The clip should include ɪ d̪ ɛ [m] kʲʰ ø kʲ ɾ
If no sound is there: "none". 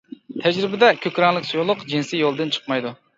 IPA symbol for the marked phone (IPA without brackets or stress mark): none